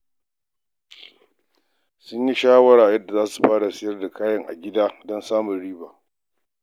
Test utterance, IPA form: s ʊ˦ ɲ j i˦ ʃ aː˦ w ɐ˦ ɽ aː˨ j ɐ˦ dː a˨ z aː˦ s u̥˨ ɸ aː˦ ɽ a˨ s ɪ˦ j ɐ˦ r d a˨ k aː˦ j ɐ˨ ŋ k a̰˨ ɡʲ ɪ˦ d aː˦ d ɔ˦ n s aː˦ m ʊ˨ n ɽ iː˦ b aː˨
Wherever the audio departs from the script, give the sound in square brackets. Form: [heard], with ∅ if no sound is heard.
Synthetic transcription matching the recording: s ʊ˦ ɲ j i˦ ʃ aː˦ w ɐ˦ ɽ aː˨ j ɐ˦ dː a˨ z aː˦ s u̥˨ ɸ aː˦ ɽ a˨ s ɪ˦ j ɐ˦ r d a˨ k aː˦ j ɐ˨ ŋ [ʔ] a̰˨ ɡʲ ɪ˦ d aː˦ d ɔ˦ n s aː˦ m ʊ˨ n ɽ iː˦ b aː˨